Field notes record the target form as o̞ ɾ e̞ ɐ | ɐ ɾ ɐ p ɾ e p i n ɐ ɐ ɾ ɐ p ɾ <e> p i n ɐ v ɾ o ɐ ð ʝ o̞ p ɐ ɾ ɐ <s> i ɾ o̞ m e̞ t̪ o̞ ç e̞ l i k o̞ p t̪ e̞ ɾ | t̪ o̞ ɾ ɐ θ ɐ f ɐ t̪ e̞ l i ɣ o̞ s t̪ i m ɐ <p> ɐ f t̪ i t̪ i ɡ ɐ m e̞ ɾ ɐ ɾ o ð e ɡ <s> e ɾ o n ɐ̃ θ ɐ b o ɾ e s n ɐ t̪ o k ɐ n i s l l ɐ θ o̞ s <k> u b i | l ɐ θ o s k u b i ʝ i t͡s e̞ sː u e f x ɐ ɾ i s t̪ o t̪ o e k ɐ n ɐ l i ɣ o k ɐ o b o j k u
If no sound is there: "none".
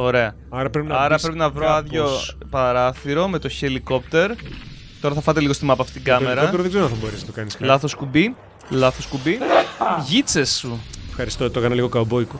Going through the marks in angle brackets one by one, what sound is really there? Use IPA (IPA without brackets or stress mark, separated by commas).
e, θ, p, z, k